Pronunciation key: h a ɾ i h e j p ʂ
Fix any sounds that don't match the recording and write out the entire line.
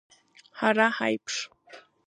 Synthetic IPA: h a ɾ a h a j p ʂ

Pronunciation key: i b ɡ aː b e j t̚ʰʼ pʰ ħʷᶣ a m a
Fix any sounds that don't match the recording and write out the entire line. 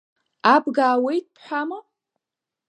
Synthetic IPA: a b ɡ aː w e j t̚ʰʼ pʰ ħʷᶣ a m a

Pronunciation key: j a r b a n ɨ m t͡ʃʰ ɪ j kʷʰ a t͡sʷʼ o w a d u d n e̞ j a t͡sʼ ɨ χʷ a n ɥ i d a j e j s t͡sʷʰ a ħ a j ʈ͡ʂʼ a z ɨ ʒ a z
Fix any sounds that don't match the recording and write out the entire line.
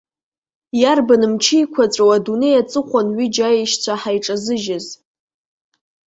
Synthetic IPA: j a r b a n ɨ m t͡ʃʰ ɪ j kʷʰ a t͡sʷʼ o w a d u n e̞ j a t͡sʼ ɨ χʷ a n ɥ i d͡ʒ a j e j ʃ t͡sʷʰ a ħ a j ʈ͡ʂʼ a z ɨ ʒ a z

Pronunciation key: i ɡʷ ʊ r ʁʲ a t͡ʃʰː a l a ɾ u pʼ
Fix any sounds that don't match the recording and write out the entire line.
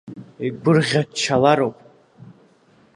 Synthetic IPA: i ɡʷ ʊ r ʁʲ a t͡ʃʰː a l a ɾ o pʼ

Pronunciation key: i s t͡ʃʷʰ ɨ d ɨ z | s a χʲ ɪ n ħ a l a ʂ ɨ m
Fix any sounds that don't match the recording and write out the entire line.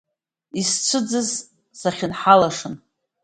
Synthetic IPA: i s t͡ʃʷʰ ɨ d͡z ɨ z | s a χʲ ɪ n ħ a l a ʂ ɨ n

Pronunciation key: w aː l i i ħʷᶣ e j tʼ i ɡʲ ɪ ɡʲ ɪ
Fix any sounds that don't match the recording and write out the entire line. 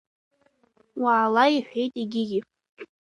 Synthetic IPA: w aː l a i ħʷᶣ e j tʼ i ɡʲ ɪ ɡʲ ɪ

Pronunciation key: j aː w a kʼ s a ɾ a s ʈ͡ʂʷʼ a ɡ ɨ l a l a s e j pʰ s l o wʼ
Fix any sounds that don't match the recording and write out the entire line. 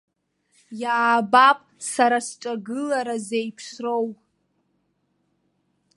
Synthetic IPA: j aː b a pʼ s a ɾ a s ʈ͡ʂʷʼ a ɡ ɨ l a ɾ a z e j pʰ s r o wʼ

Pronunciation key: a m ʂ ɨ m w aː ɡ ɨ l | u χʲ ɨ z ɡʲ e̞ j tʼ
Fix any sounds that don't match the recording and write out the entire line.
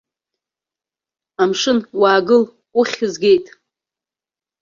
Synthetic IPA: a m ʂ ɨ n w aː ɡ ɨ l | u χʲ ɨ z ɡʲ e̞ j tʼ

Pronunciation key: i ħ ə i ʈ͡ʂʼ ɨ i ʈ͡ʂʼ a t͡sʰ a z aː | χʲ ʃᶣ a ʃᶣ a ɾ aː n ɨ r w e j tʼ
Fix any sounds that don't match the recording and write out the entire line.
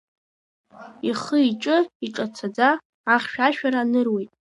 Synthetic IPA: i χ ə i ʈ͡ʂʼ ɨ i ʈ͡ʂʼ a t͡sʰ a d͡z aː | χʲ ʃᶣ a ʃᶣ a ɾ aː n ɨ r w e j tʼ

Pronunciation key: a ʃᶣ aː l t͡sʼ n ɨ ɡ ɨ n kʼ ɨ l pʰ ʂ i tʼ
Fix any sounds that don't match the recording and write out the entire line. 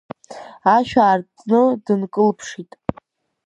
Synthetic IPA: a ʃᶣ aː r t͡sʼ n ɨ d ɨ n kʼ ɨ l pʰ ʂ i tʼ

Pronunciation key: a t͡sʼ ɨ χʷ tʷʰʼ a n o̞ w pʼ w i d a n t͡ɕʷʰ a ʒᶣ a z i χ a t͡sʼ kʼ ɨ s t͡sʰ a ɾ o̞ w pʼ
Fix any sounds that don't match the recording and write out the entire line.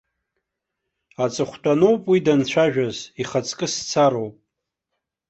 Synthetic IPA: a t͡sʼ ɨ χʷ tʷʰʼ a n o̞ w pʼ w i d a n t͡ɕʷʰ a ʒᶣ a z i χ a t͡sʼ kʼ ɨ s t͡sʰ a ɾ o̞ w pʼ

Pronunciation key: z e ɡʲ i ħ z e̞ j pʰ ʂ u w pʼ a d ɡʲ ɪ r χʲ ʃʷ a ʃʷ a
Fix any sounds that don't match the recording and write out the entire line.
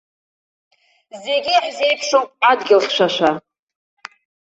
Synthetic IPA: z e ɡʲ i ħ z e̞ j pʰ ʂ o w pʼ a d ɡʲ ɪ l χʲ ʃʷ a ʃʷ a

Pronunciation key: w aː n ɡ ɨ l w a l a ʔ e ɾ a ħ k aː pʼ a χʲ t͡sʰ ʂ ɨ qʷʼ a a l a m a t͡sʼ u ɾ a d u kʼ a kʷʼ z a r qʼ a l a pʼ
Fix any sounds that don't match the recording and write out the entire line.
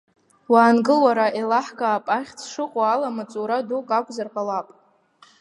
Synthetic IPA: w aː n ɡ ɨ l w a ɾ a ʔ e l a ħ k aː pʼ a χʲ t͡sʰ ʂ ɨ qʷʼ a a l a m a t͡sʼ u ɾ a d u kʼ a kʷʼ z a r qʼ a l a pʼ

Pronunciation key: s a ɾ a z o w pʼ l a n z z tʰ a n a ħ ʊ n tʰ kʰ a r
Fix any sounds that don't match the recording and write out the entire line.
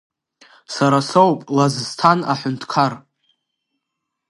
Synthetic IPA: s a ɾ a s o w pʼ l a z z tʰ a n a ħ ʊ n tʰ kʰ a r

